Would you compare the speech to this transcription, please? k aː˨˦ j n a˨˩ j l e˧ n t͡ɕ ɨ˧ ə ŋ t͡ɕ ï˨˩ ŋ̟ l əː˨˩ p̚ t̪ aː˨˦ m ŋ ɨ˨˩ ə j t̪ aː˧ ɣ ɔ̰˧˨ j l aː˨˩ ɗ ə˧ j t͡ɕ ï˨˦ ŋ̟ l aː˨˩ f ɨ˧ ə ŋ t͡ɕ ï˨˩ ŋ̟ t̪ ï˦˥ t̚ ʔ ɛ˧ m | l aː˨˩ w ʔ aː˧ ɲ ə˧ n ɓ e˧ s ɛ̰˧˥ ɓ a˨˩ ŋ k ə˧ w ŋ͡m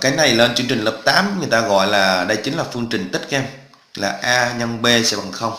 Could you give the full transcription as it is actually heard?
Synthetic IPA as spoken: k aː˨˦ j n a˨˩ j l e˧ n t͡ɕ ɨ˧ ə ŋ t͡ɕ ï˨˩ ŋ̟ l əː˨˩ p̚ t̪ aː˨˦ m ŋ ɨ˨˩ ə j t̪ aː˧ ɣ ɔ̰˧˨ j l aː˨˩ ɗ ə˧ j t͡ɕ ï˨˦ ŋ̟ l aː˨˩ f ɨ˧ ə ŋ t͡ɕ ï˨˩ ŋ̟ t̪ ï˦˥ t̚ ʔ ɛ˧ m | l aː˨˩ ʔ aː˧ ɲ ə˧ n ɓ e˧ s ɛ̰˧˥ ɓ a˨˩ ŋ x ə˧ w ŋ͡m